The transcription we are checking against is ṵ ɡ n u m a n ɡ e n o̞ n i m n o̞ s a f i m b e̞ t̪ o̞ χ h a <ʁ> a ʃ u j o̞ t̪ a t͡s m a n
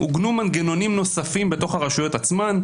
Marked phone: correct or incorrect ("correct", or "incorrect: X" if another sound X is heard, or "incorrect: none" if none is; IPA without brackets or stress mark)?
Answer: correct